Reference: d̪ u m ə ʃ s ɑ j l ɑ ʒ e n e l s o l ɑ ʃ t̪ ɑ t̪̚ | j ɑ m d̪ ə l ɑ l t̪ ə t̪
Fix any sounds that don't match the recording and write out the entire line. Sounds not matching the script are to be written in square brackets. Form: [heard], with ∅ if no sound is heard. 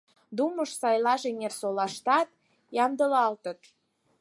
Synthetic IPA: d̪ u m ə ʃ s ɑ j l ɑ ʒ e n e [r] s o l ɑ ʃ t̪ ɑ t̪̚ | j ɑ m d̪ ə l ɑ l t̪ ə t̪